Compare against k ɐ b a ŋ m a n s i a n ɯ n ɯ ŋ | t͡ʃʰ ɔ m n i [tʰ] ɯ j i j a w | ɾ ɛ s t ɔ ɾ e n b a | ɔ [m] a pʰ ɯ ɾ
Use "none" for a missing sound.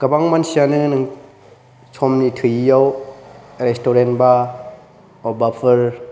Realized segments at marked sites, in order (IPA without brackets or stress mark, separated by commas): tʰ, b